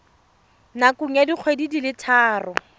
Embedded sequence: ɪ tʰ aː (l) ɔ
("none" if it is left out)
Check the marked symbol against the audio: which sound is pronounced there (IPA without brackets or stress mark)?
r